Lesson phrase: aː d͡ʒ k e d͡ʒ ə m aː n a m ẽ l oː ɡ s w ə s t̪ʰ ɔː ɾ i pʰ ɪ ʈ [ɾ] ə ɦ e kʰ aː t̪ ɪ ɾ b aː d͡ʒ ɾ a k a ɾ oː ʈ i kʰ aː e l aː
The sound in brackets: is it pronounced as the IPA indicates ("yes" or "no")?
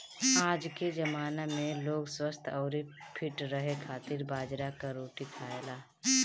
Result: yes